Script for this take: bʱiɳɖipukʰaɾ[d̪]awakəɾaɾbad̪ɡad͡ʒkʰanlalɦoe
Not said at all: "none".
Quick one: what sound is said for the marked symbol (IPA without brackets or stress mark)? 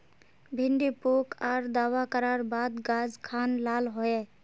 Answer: d̪